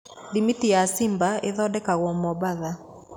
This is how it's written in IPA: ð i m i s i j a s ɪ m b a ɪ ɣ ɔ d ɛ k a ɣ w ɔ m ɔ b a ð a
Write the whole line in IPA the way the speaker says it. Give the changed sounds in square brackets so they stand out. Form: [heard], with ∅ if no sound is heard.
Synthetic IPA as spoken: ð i m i [t] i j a s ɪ m b a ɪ [ð] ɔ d ɛ k a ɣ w ɔ m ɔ b a ð a